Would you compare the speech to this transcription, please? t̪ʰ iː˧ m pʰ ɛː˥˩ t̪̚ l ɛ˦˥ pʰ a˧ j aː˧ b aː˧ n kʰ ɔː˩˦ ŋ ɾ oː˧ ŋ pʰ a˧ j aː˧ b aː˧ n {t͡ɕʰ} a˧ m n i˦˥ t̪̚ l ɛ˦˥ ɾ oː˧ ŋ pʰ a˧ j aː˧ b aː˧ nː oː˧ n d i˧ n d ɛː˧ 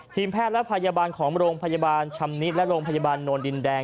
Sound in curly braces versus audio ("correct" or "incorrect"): correct